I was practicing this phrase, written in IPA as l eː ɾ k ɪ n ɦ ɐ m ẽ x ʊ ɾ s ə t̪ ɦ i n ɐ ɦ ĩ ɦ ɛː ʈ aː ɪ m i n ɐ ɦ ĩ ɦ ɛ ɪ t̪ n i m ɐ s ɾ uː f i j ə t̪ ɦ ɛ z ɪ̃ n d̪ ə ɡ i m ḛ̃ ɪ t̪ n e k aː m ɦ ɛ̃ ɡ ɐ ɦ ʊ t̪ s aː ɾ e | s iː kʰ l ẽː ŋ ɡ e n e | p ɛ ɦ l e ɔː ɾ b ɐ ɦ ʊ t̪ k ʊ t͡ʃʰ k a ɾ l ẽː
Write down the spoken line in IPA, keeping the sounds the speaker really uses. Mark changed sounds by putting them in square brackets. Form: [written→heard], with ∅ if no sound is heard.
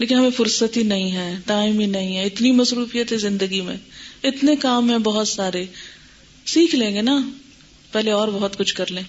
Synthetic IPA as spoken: l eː [ɾ→∅] k ɪ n ɦ ɐ m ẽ [x→f] ʊ ɾ s ə t̪ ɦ i n ɐ ɦ ĩ ɦ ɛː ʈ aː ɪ m i n ɐ ɦ ĩ ɦ ɛ ɪ t̪ n i m ɐ s ɾ uː f i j ə t̪ ɦ ɛ z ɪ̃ n d̪ ə ɡ i m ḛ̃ ɪ t̪ n e k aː m ɦ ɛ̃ [ɡ→b] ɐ ɦ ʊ t̪ s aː ɾ e | s iː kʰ l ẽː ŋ ɡ e n [e→a] | p ɛ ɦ l e ɔː ɾ b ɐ ɦ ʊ t̪ k ʊ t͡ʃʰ k [a→ɐ] ɾ l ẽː